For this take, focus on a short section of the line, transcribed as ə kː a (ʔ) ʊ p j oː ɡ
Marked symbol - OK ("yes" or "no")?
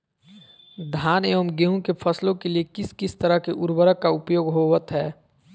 no